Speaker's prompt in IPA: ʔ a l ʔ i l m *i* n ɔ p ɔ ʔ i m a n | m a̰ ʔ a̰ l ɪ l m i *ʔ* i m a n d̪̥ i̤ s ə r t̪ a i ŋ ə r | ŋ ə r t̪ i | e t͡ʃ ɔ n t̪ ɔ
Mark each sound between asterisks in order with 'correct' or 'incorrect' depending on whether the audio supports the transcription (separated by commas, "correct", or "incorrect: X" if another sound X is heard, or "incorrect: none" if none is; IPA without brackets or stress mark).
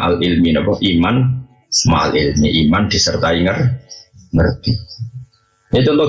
correct, correct